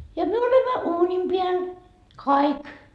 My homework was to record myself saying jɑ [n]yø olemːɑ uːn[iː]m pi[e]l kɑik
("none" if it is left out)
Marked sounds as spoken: m, i, æ

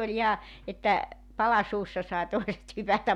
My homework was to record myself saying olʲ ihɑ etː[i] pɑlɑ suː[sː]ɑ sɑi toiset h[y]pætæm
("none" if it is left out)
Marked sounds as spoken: æ, sː, y

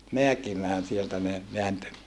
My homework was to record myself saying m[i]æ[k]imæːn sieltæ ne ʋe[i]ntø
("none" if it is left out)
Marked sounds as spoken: e, k, æ

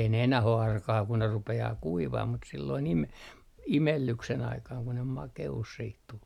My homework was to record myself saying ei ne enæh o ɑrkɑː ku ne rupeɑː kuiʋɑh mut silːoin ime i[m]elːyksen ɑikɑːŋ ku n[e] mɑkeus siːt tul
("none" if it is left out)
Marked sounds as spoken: m, e

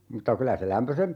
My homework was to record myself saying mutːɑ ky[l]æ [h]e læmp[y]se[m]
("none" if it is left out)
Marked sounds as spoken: l, s, ø, m

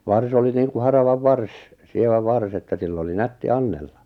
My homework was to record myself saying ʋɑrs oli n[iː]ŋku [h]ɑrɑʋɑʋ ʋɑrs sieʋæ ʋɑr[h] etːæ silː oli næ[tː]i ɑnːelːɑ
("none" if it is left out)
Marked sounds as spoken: iː, h, s, tː

